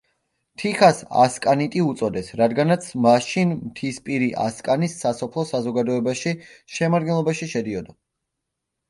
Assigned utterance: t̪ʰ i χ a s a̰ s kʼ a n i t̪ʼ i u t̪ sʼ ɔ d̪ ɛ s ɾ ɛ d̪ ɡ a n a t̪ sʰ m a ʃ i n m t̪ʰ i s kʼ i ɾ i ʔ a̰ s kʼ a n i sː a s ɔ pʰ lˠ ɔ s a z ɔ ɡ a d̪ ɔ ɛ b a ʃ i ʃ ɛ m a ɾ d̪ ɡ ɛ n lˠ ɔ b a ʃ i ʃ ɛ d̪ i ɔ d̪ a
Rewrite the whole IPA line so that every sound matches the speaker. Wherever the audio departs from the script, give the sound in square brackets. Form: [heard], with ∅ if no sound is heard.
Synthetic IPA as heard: t̪ʰ i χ a s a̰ s kʼ a n i t̪ʼ i u t̪ sʼ ɔ d̪ ɛ s ɾ [a] d̪ ɡ a n a t̪ sʰ m a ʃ i n m t̪ʰ i s [pʼ] i ɾ i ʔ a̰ s kʼ a n i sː a s ɔ pʰ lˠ ɔ s a z ɔ ɡ a d̪ ɔ ɛ b a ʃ i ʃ ɛ m a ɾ d̪ ɡ ɛ n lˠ ɔ b a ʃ i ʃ ɛ d̪ i ɔ d̪ a

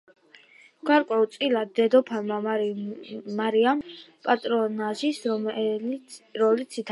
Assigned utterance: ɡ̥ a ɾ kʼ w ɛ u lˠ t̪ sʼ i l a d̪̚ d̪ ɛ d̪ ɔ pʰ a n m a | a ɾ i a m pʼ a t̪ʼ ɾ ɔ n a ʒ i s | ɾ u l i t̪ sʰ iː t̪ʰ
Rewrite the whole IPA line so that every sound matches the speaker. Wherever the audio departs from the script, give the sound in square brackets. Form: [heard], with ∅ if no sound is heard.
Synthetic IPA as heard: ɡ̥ a ɾ kʼ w ɛ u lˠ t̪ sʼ i l a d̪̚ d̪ ɛ d̪ ɔ pʰ a n m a | a ɾ i a m pʼ a t̪ʼ ɾ ɔ n a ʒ i s | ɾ [ɔ] l i t̪ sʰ [i] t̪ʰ

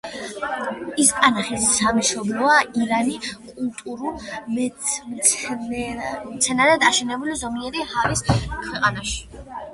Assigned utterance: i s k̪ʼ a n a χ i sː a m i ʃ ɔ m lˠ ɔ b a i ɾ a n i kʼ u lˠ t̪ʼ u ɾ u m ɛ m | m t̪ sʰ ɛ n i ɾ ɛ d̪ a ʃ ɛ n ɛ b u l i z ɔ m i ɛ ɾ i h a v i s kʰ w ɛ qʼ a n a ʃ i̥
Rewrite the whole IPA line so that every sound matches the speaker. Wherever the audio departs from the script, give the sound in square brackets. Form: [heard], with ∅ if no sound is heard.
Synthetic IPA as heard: i s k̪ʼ a n a χ i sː a m i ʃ ɔ [b] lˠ ɔ [∅] a i ɾ a n i kʼ u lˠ t̪ʼ u ɾ u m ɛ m | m t̪ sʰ ɛ n [a] ɾ ɛ d̪ a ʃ ɛ n ɛ b u l i z ɔ m i ɛ ɾ i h a v i s kʰ w ɛ qʼ a n a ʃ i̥

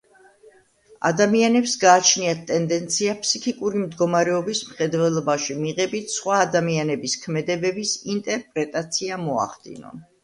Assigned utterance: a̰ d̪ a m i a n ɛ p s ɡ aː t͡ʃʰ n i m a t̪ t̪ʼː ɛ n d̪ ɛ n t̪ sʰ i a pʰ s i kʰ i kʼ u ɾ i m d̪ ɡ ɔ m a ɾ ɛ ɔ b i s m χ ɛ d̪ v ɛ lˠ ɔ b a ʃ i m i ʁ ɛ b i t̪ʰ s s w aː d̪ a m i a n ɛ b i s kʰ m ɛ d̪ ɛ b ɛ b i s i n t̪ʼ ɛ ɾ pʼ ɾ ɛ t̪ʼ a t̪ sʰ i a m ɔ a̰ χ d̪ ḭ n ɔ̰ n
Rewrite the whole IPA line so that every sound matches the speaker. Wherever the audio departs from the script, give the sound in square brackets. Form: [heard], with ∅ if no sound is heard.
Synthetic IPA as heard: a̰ d̪ a m i a n ɛ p s ɡ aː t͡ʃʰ n i [∅] a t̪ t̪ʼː ɛ n d̪ ɛ n t̪ sʰ i a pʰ s i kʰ i kʼ u ɾ i m d̪ ɡ ɔ m a ɾ ɛ ɔ b i s m χ ɛ d̪ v ɛ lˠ ɔ b a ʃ i m i ʁ ɛ b i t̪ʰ s [χ] w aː d̪ a m i a n ɛ b i s kʰ m ɛ d̪ ɛ b ɛ b i s i n t̪ʼ ɛ ɾ pʼ ɾ ɛ t̪ʼ a t̪ sʰ i a m ɔ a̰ χ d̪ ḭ n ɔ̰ n

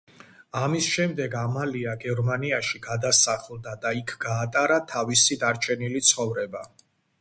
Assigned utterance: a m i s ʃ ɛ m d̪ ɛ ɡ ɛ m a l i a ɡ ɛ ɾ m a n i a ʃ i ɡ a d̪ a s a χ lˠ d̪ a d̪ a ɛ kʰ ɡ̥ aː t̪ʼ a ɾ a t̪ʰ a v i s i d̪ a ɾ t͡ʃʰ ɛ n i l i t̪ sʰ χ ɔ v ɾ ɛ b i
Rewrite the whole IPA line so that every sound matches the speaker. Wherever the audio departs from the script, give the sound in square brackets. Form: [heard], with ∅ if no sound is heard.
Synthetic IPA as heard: a m i s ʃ ɛ m d̪ ɛ ɡ [a] m a l i a ɡ ɛ ɾ m a n i a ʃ i ɡ a d̪ a s a χ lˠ d̪ a d̪ a [i] kʰ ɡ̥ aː t̪ʼ a ɾ a t̪ʰ a v i s i d̪ a ɾ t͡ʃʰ ɛ n i l i t̪ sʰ χ ɔ v ɾ ɛ b [a]

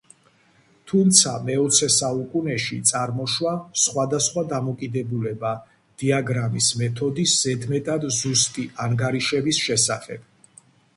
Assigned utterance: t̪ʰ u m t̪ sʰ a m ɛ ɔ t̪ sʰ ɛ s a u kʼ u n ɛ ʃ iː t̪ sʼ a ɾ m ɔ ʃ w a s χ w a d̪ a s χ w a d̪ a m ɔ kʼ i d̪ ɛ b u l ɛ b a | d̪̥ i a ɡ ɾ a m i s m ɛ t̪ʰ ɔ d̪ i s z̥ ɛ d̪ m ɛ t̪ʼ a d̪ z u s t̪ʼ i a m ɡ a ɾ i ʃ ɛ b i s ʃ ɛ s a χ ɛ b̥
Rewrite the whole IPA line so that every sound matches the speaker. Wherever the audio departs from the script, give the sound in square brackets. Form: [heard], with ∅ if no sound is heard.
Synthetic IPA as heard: t̪ʰ u m t̪ sʰ a m ɛ ɔ t̪ sʰ ɛ s a u kʼ u n ɛ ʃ [i] t̪ sʼ a ɾ m ɔ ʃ w a s χ w a d̪ a s χ w a d̪ a m ɔ kʼ i d̪ ɛ b u l ɛ b a | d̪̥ i a ɡ ɾ a m i s m ɛ t̪ʰ ɔ d̪ i s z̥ ɛ d̪ m ɛ t̪ʼ a d̪ z u s t̪ʼ i a [ŋ] ɡ a ɾ i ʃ ɛ b i s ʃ ɛ s a χ ɛ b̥

